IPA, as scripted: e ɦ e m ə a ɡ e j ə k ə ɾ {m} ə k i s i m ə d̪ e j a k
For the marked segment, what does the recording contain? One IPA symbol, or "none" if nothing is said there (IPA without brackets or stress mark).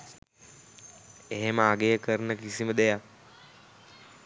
n